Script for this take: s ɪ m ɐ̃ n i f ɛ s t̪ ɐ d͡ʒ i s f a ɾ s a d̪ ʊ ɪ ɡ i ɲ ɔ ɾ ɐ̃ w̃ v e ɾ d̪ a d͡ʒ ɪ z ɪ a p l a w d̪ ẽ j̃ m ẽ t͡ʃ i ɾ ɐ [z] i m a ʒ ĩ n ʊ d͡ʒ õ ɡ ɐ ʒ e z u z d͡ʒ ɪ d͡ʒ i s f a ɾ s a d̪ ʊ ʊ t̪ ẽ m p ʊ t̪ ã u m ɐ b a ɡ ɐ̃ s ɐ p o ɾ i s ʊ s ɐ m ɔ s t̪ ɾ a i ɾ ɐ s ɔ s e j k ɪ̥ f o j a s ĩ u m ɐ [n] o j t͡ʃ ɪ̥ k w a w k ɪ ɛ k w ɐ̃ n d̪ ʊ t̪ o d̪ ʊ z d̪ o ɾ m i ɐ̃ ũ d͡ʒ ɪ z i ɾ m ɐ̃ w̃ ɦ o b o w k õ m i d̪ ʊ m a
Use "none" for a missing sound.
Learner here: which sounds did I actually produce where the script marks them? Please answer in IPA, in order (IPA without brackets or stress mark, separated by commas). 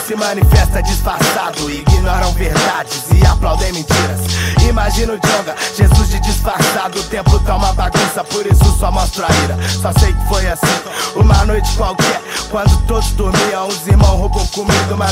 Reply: s, n